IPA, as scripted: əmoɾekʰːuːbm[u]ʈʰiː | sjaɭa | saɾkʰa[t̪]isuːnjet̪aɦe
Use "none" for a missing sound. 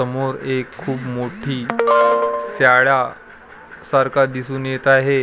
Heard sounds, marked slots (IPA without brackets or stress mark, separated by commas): o, d̪